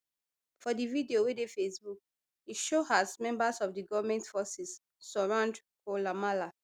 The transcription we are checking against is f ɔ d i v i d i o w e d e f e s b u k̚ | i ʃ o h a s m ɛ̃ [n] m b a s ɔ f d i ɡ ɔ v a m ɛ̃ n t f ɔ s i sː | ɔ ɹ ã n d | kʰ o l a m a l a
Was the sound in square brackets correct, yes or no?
no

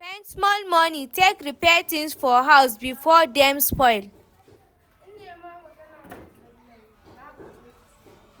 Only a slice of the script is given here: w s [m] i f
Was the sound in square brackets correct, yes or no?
no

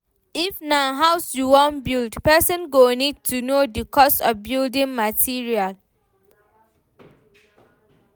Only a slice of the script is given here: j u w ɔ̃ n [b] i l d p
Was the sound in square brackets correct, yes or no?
yes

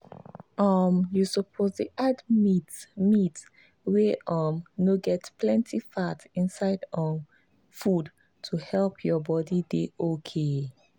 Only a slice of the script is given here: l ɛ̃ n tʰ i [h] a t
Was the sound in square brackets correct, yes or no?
no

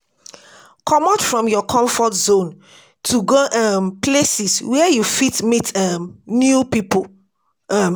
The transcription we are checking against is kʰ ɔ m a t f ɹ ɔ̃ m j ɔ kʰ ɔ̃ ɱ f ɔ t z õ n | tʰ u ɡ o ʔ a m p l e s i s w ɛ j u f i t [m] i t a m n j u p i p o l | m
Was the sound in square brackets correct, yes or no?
yes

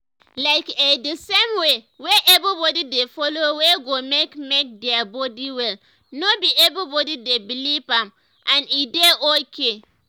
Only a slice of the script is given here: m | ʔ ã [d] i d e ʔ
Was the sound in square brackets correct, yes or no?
no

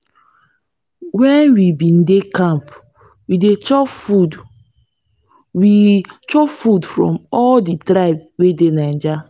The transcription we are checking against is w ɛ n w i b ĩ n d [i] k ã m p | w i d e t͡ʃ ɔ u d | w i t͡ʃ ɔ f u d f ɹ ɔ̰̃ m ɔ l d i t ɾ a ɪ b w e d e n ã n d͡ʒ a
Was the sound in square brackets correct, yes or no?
no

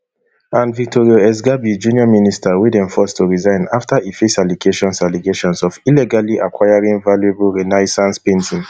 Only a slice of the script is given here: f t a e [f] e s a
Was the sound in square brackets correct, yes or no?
yes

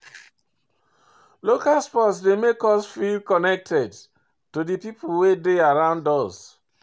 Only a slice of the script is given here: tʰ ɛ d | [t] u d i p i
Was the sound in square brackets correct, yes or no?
yes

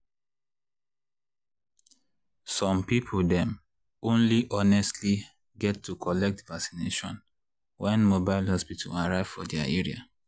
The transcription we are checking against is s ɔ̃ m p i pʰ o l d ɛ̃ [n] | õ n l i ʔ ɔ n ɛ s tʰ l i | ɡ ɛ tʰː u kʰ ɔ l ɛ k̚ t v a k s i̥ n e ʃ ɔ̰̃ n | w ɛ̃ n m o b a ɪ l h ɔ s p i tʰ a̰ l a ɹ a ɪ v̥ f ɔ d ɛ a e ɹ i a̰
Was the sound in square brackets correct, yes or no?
no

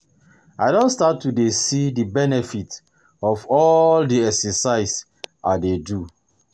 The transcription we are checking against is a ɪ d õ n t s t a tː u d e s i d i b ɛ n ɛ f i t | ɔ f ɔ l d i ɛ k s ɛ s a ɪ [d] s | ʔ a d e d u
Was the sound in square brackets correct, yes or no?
no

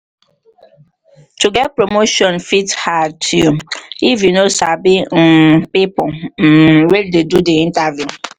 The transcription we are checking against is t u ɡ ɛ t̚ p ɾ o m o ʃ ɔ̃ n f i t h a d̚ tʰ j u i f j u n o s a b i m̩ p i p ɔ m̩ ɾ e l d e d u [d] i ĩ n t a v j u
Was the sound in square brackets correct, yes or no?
yes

